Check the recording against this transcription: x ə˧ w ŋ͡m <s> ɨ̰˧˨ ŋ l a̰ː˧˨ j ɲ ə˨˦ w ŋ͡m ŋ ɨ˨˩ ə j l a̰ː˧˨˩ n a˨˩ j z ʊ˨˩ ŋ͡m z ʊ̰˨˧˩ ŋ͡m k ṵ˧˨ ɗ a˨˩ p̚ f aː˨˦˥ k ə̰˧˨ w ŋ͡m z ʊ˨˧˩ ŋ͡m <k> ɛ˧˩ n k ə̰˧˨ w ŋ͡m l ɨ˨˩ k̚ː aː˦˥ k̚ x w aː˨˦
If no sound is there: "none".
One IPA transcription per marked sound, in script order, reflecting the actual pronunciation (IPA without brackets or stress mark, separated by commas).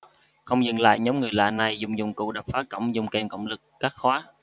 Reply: z, k